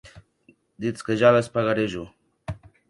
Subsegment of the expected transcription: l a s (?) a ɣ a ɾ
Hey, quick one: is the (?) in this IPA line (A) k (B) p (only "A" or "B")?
B